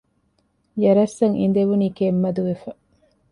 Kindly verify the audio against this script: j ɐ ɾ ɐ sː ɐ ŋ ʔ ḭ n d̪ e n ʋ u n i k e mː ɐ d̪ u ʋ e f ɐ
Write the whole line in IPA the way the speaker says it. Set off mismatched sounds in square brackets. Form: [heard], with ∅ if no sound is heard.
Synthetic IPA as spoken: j ɐ ɾ ɐ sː ɐ ŋ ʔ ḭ n d̪ e [∅] ʋ u n [iː] k e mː ɐ d̪ u ʋ e f ɐ